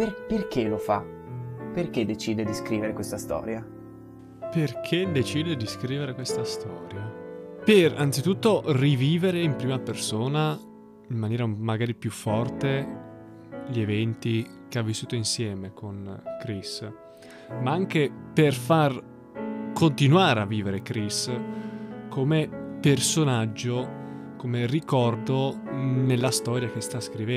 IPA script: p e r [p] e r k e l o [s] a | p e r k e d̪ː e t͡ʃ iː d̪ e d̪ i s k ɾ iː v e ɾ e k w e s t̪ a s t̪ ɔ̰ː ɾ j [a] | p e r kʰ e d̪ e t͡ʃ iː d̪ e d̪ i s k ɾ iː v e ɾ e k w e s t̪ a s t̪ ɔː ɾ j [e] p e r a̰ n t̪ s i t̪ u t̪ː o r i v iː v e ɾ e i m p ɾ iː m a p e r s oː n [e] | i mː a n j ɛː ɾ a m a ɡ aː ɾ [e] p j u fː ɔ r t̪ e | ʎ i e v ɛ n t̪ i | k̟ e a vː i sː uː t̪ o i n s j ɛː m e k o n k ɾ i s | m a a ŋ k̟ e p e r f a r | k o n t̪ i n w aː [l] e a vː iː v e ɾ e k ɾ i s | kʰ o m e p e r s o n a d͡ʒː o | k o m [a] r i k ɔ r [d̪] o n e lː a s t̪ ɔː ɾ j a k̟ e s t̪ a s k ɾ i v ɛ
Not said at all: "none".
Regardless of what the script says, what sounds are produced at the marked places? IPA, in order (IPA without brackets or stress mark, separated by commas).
p, f, a, a, a, i, ɾ, e, d̪